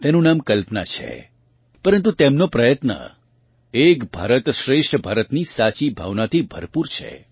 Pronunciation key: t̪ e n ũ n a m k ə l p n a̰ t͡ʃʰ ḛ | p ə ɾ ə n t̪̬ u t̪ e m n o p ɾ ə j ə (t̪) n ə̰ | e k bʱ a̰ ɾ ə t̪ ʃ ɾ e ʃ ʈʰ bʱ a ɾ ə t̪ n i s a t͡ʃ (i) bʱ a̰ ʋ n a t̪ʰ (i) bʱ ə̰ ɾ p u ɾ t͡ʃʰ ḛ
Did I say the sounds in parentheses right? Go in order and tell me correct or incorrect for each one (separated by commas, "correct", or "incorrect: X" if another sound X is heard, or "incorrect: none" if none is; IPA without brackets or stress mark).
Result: correct, correct, correct